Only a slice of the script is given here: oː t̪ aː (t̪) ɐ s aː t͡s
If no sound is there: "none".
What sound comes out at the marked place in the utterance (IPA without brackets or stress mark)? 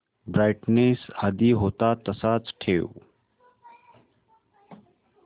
t̪